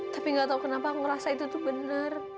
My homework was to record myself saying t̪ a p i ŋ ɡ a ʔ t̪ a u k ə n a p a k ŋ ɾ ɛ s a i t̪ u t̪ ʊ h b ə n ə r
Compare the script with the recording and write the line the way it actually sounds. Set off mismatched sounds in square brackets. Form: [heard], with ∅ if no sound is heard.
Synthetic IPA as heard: t̪ a p i ŋ ɡ a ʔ t̪ a u k ə n a p a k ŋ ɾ [a] s a i t̪ u t̪ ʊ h b ə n ə r